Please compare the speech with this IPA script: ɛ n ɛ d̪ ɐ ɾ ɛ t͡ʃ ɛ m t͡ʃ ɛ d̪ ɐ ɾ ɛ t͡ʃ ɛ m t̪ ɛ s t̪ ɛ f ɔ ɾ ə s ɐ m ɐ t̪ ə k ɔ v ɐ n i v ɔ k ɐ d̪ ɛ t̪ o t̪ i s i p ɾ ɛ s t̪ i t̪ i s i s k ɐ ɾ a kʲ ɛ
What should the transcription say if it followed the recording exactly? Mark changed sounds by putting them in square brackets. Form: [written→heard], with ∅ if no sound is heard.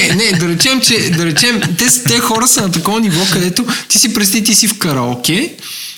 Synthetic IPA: ɛ n ɛ d̪ ɐ ɾ ɛ t͡ʃ ɛ m t͡ʃ ɛ d̪ ɐ ɾ ɛ t͡ʃ ɛ m t̪ ɛ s t̪ ɛ [f→x] ɔ ɾ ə s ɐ [m→n] ɐ t̪ [ə→ɐ] k ɔ v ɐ n i v ɔ k ɐ d̪ ɛ t̪ o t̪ i s i p ɾ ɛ s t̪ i t̪ i s i [s→f] k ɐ ɾ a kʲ ɛ